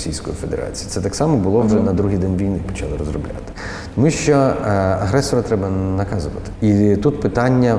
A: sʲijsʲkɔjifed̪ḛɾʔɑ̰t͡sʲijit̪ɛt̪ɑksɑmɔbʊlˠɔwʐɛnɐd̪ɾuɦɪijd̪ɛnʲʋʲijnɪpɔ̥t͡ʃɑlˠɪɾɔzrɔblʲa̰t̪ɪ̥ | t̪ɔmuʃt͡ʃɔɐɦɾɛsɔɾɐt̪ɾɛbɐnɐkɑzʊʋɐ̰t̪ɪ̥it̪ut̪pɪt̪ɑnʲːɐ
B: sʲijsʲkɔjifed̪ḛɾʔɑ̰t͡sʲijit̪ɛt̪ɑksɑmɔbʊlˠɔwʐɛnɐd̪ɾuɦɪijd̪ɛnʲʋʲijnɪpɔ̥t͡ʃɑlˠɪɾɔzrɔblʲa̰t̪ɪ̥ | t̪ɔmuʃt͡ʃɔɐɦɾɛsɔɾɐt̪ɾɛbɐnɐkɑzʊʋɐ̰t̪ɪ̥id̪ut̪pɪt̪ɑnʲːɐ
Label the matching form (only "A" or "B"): A